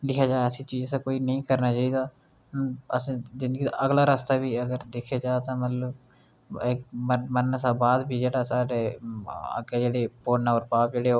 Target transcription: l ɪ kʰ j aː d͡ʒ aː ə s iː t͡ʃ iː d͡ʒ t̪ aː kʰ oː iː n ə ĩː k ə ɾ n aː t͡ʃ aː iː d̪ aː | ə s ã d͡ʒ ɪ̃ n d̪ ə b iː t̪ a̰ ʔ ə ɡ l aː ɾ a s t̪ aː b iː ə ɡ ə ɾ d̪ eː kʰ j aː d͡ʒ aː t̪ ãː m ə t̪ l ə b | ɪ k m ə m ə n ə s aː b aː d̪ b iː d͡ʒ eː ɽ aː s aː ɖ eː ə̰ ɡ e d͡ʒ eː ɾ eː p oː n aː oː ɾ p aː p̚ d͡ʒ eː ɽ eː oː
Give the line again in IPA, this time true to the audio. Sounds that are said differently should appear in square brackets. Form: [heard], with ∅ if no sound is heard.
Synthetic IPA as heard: l ɪ kʰ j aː d͡ʒ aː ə s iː t͡ʃ iː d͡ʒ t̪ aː [k] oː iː n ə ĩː k ə ɾ n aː t͡ʃ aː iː d̪ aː | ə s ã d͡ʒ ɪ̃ n d̪ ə [ɡ] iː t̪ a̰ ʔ ə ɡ l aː ɾ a s t̪ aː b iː ə ɡ ə ɾ d̪ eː kʰ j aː d͡ʒ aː t̪ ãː m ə t̪ l ə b | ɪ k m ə m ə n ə s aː b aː d̪ b iː d͡ʒ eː ɽ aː s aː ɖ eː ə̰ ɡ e d͡ʒ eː [ɽ] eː p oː n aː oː ɾ p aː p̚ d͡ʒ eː ɽ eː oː